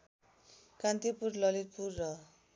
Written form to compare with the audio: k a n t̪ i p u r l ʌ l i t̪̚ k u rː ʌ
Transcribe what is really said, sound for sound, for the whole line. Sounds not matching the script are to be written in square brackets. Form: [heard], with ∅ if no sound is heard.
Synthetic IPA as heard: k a n t̪ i p u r l ʌ l i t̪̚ [p] u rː ʌ